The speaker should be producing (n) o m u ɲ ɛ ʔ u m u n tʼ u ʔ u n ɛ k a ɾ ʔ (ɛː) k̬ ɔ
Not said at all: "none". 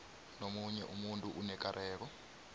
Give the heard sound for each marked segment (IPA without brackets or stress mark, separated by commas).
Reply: n, ɛː